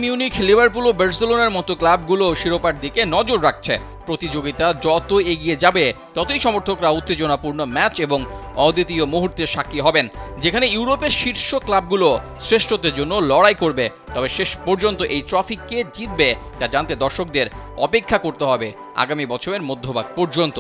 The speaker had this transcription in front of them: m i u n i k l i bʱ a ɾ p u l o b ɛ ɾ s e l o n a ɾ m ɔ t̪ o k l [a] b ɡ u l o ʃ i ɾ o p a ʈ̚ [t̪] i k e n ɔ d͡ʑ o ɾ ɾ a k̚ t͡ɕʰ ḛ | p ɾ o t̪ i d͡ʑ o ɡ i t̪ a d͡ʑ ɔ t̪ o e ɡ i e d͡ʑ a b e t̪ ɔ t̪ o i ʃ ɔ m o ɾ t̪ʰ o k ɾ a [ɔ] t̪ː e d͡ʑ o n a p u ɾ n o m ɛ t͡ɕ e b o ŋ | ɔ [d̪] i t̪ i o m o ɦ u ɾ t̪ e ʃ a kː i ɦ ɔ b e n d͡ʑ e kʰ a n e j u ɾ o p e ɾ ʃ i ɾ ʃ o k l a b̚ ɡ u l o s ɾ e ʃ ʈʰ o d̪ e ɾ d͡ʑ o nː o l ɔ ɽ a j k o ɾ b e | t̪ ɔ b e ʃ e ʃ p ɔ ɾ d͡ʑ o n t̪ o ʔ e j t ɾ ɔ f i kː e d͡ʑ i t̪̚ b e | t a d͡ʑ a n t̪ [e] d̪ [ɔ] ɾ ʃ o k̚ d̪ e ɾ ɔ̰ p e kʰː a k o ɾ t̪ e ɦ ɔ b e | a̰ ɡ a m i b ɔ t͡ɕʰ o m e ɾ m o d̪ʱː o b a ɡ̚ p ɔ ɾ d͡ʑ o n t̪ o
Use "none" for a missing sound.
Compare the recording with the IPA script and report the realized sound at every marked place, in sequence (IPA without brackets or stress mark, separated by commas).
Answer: a, d̪, u, d̪, e, ɔ